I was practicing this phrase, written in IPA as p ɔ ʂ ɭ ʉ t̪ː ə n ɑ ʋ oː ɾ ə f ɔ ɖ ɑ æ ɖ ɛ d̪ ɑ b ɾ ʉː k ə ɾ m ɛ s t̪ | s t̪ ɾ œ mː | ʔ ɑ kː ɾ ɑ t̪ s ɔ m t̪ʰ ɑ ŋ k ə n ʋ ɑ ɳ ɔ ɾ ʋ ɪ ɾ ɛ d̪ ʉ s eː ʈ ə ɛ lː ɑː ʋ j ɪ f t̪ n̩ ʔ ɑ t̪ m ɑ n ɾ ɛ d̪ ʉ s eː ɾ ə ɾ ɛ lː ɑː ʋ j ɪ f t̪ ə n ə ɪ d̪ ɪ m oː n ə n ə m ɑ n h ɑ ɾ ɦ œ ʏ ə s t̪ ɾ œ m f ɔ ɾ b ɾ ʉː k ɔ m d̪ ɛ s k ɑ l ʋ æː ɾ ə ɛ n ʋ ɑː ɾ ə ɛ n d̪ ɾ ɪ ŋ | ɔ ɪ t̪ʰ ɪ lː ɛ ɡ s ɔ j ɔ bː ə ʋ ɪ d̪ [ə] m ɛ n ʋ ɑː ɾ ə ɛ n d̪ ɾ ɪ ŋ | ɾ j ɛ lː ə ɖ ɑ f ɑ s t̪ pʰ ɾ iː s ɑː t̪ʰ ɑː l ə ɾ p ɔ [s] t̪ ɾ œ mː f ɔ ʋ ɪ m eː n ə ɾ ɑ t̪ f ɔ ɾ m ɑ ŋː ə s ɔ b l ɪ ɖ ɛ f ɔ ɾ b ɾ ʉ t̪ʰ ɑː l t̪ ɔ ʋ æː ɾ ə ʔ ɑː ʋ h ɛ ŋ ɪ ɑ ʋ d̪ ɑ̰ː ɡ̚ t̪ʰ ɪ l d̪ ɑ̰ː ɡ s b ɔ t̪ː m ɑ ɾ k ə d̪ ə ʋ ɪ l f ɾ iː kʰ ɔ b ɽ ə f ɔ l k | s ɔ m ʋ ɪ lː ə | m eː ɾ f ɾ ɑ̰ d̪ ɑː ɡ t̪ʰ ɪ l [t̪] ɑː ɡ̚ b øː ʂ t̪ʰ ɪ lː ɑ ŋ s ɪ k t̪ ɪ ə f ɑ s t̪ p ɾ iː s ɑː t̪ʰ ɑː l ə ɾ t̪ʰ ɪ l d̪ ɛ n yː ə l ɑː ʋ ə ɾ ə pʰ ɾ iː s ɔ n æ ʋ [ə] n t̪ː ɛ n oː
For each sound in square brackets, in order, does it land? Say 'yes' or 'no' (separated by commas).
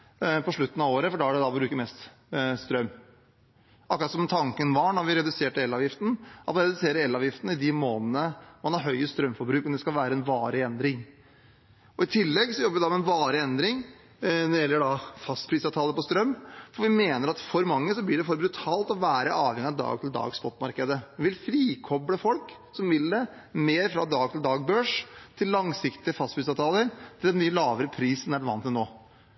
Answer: no, yes, no, no